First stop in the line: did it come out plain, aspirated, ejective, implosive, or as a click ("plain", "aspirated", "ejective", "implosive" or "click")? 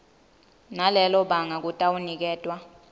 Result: implosive